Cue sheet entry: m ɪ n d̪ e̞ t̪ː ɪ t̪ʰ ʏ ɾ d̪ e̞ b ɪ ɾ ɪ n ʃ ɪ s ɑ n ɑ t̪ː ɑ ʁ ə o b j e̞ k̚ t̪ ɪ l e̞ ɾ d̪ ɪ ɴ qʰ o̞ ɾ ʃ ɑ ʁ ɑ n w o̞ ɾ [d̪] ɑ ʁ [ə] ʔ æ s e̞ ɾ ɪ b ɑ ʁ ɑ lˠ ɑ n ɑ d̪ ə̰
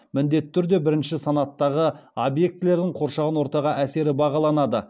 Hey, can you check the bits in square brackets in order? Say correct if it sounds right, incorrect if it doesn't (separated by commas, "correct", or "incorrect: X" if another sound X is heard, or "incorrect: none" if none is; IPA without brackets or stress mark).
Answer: incorrect: t̪, incorrect: ɑ